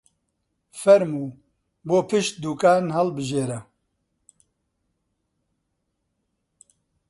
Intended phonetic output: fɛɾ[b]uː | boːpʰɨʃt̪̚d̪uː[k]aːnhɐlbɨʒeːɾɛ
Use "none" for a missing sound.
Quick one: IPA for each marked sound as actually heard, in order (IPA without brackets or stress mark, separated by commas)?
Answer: m, k